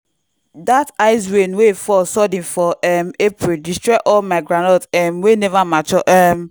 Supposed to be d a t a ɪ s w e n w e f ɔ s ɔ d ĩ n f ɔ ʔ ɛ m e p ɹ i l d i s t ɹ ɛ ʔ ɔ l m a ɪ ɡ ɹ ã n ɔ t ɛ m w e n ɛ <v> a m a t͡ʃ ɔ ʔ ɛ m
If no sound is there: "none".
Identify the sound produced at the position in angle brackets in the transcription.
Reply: v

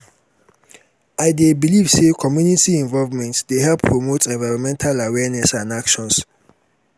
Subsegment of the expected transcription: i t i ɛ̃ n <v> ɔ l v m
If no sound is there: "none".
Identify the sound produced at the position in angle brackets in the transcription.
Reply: v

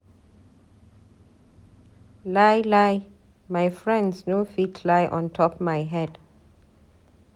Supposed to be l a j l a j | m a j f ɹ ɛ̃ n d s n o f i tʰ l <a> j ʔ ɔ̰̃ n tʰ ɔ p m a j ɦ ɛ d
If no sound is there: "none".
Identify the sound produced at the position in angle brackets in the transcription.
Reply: a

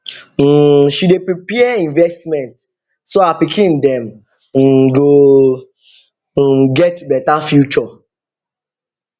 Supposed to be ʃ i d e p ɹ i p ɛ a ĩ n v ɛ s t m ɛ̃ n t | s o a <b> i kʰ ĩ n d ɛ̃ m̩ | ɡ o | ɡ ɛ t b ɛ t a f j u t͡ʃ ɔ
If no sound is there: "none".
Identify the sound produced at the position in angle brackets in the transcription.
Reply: p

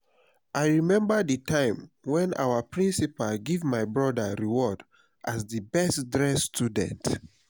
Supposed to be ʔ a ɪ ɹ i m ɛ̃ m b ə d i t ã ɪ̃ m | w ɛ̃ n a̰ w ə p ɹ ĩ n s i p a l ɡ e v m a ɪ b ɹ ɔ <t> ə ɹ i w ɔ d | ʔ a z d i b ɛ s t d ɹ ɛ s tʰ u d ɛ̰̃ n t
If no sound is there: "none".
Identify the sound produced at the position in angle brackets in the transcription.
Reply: d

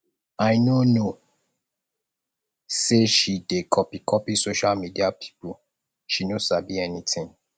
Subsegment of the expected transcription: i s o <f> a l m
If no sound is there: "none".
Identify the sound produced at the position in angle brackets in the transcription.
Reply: ʃ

